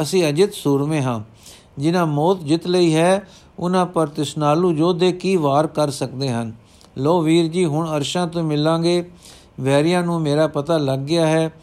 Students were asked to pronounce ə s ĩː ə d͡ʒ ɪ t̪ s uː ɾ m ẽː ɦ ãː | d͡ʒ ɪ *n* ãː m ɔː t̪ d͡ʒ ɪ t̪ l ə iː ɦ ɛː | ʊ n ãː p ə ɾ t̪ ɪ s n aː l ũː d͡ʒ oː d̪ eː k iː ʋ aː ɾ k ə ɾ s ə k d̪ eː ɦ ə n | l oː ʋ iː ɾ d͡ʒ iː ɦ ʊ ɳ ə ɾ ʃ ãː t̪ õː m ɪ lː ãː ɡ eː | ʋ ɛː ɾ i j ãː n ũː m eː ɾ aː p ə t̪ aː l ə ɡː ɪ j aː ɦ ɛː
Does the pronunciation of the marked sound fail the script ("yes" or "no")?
no